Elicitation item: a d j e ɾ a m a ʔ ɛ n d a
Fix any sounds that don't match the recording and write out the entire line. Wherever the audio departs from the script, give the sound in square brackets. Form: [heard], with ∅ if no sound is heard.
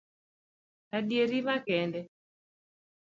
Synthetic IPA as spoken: a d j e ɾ [i] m a [k] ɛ n d [ɛ]